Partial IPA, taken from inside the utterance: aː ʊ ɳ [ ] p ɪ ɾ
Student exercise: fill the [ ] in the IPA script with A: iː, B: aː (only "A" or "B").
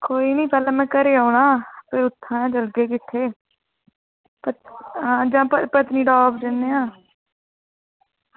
B